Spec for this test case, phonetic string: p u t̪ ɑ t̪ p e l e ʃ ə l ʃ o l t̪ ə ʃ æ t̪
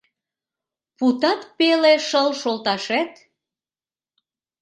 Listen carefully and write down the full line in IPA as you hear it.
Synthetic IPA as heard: p u t̪ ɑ t̪ p e l e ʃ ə l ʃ o l t̪ ɑ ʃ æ t̪